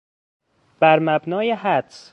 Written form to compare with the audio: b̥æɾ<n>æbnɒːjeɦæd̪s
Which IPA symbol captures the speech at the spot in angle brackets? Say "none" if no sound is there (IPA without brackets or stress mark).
m